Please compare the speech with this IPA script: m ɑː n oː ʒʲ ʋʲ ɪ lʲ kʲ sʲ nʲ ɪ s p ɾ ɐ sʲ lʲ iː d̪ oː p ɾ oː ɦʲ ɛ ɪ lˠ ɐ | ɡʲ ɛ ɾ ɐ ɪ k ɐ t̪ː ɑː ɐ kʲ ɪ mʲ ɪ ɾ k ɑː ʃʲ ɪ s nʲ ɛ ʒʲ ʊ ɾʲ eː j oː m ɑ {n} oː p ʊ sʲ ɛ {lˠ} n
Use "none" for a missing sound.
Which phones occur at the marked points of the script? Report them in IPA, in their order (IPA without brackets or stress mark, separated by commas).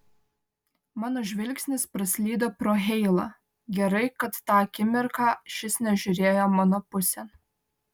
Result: n, none